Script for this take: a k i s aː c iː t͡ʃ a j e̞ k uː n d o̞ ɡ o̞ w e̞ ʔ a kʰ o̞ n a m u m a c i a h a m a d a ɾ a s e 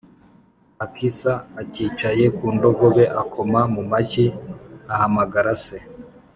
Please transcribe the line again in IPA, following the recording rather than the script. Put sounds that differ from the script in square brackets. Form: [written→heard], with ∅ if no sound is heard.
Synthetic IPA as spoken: a k i s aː c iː t͡ʃ a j e̞ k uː n d o̞ ɡ o̞ [w→β] e̞ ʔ a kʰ o̞ [n→m] a m u m a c i a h a m a [d→ɡ] a ɾ a s e